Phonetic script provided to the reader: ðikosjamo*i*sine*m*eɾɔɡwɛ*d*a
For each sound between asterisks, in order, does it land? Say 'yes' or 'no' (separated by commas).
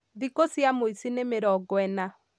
yes, yes, no